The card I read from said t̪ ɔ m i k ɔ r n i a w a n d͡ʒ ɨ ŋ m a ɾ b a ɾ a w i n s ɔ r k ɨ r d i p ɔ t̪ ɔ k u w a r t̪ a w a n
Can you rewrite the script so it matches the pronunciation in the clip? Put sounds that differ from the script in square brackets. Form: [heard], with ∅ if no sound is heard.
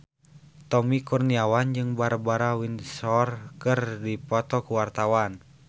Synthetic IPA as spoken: t̪ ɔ m i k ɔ r n i a w a n d͡ʒ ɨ ŋ [b] a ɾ b a ɾ a w i n s ɔ r k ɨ r d i p ɔ t̪ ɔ k u w a r t̪ a w a n